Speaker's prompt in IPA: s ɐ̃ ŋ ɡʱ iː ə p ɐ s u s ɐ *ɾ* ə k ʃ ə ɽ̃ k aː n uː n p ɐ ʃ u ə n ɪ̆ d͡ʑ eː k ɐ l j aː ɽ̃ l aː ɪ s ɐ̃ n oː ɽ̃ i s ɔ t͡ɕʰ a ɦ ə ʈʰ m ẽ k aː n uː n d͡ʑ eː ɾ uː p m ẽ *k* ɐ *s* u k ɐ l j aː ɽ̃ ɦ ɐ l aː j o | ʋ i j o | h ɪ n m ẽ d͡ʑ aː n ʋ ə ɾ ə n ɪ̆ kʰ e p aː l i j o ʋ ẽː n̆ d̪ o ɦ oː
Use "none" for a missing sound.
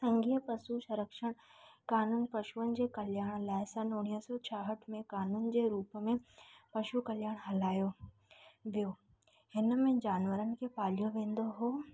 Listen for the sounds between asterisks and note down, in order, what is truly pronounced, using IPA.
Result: ɾ, p, ʃ

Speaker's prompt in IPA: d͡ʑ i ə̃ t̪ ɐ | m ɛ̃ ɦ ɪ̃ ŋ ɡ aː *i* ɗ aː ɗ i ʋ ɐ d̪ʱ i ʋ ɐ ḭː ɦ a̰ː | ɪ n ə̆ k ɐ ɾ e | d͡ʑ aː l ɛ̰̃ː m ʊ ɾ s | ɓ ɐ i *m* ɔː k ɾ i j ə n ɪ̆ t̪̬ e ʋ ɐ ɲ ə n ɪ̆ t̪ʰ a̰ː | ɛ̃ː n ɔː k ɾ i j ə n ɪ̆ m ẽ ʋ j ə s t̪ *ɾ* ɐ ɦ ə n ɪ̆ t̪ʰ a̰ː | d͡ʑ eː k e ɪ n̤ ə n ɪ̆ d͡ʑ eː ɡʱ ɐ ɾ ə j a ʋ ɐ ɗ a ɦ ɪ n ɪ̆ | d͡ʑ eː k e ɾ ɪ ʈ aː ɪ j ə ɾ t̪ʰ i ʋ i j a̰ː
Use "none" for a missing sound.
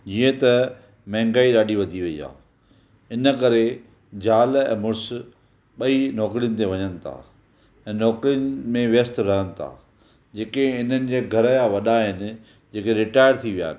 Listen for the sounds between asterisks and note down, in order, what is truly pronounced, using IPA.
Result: i, n, ɾ

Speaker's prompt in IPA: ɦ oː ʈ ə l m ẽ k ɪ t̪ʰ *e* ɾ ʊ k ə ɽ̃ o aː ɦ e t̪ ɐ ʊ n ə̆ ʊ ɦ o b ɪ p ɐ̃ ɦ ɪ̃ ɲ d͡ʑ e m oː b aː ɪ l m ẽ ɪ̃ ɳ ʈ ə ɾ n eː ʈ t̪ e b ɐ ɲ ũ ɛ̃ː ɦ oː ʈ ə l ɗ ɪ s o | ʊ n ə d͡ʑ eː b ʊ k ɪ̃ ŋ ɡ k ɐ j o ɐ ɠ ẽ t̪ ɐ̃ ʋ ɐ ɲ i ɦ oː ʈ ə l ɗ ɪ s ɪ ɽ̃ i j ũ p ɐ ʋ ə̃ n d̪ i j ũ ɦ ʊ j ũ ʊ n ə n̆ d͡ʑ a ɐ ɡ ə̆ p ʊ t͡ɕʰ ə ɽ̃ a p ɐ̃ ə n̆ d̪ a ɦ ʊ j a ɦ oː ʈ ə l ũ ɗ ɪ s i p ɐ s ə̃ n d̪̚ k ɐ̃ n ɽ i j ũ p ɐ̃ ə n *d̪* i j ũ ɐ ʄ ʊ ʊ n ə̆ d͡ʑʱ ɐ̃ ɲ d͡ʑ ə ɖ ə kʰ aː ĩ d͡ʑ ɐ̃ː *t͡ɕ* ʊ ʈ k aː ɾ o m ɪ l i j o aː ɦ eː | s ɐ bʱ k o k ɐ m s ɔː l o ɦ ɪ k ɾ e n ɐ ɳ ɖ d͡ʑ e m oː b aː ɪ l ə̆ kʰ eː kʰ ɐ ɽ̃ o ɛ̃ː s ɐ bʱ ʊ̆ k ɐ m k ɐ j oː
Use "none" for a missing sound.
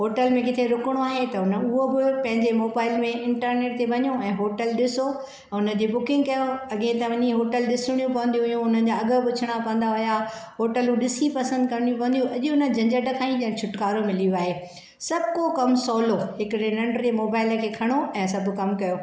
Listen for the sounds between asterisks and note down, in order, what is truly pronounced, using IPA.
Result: e, d̪, t͡ɕʰ

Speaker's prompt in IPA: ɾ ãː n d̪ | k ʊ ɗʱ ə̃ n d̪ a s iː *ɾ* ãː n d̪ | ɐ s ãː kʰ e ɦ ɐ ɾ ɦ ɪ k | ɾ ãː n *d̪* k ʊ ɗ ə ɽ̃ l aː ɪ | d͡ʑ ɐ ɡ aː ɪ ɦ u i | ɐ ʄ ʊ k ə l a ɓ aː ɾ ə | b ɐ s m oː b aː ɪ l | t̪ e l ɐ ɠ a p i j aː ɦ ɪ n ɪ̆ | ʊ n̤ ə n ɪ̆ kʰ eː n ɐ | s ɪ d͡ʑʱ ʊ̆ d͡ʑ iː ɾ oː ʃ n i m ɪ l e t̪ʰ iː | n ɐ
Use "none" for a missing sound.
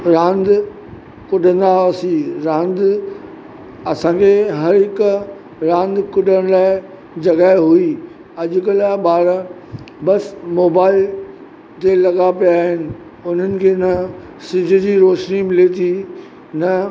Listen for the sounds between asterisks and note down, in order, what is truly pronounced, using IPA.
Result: ɾ, d̪

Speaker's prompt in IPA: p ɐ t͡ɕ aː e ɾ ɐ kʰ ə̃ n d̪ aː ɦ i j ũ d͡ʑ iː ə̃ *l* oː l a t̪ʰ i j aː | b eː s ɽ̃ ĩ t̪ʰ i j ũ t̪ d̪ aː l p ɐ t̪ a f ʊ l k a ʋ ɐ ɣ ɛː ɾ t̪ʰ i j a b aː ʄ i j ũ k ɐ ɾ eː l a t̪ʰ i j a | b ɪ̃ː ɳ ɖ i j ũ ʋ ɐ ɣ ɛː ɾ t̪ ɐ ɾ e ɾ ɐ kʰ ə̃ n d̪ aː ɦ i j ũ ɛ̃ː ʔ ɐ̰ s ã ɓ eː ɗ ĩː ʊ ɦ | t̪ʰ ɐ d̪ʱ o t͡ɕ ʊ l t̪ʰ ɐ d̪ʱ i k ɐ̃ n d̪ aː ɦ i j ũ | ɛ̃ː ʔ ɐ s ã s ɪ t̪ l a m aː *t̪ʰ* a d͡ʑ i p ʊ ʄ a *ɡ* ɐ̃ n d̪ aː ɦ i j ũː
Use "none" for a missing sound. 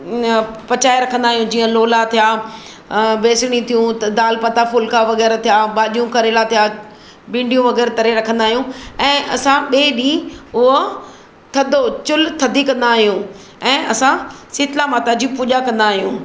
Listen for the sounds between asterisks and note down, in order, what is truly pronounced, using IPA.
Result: l, t̪, k

